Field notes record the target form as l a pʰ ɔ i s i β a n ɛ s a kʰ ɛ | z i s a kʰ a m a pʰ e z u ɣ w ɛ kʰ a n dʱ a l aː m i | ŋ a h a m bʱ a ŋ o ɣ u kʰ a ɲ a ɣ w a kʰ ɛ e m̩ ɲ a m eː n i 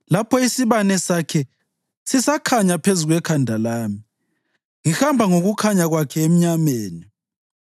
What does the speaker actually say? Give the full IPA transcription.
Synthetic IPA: l a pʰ ɔ i s i β a n ɛ s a kʰ ɛ | s i s a kʰ a ɲ a pʰ e z u ɣ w ɛ kʰ a n dʱ a l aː m i | ŋ i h a m bʱ a ŋ o ɣ u kʰ a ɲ a ɣ w a kʰ ɛ e m̩ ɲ a m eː n i